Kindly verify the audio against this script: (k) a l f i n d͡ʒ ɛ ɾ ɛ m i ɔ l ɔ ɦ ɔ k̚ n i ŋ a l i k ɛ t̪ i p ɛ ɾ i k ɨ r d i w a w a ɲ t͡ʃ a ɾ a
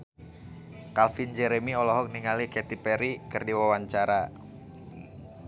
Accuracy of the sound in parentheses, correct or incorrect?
correct